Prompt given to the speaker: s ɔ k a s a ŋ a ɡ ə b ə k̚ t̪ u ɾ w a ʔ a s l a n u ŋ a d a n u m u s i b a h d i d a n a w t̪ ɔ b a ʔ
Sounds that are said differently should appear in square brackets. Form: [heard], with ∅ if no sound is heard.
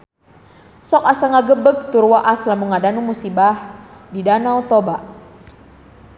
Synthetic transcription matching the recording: s ɔ k a s a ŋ a ɡ ə b ə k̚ t̪ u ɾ w a ʔ a s l a [m] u ŋ a d a n u m u s i b a h d i d a n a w t̪ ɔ b a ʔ